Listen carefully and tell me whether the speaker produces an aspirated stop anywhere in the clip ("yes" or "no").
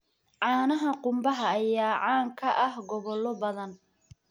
yes